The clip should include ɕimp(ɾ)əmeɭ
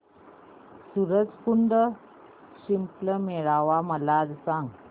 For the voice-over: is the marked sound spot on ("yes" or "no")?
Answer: no